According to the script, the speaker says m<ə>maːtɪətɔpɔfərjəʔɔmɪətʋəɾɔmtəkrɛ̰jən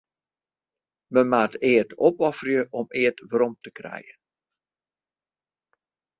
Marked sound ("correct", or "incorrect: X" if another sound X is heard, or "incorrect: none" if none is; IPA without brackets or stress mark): correct